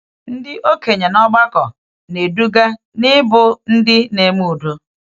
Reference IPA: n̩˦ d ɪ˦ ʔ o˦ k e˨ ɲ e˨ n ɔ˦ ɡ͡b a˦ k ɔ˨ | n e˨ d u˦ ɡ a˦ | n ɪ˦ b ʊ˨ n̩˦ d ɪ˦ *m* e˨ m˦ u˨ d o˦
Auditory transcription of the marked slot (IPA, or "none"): n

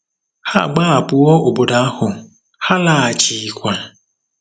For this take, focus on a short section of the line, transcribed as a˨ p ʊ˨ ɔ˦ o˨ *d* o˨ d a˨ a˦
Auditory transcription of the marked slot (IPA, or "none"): b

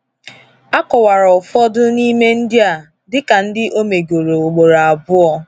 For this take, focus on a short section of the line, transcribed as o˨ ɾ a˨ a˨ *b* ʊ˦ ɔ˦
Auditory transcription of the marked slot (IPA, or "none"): b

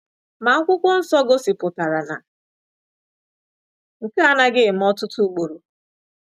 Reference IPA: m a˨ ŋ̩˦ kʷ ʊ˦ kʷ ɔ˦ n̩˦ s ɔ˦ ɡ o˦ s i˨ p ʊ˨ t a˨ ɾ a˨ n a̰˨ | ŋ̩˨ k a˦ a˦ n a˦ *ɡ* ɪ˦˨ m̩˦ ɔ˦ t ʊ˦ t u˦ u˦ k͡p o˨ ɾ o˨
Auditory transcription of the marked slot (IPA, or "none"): ɡ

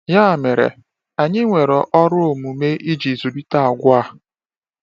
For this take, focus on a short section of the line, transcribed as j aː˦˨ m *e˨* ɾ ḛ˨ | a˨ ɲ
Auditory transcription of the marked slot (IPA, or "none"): e˨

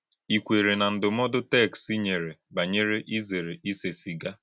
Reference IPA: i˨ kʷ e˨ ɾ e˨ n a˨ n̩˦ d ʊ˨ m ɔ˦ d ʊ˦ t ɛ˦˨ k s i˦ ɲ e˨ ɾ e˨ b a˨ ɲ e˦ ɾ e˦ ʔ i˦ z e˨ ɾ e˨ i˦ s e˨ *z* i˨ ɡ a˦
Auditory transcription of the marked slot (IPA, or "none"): s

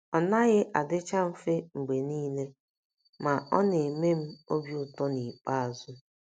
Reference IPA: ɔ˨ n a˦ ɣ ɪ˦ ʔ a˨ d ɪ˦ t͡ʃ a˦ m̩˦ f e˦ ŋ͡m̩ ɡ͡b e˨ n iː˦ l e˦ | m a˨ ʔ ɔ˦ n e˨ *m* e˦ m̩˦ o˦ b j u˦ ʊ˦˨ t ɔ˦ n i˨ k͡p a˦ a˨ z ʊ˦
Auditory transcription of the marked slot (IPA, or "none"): m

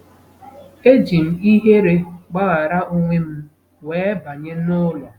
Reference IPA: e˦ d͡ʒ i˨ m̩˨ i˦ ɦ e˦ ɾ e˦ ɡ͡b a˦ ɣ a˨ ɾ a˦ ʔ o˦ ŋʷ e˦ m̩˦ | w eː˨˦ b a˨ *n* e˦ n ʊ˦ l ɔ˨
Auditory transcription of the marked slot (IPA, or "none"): ɲ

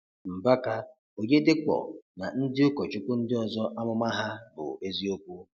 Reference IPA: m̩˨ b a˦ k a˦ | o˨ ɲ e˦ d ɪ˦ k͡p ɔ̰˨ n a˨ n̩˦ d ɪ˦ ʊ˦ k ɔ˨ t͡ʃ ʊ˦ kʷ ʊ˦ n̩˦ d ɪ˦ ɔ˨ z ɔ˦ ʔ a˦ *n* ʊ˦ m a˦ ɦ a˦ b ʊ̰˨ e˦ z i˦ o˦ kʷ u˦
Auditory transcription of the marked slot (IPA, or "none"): m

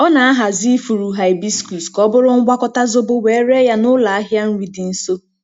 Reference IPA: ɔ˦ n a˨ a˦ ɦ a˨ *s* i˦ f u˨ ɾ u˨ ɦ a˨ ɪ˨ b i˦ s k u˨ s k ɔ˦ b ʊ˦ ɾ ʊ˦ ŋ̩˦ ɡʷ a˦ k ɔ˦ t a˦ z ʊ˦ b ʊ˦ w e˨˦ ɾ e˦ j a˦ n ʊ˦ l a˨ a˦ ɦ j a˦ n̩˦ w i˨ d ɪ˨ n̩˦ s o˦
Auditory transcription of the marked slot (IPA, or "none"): z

